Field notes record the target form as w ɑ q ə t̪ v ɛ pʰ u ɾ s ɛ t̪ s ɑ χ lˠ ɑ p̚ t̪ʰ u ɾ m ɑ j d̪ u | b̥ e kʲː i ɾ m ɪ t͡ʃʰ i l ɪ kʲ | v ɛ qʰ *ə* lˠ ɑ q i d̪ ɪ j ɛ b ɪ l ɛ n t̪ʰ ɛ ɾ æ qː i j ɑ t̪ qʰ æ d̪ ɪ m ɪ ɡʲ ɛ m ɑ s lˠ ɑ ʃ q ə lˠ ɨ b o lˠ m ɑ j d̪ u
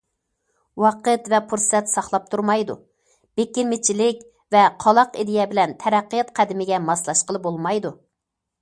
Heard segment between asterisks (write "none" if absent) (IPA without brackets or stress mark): ɑ